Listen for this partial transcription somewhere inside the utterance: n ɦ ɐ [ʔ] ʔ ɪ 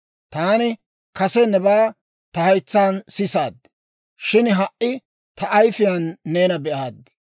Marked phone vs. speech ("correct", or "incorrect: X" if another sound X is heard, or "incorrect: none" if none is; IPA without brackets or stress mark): correct